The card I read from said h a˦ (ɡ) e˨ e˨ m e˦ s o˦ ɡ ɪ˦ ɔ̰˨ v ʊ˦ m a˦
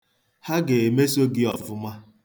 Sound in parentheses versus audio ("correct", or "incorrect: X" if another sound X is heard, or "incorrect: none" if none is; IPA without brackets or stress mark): correct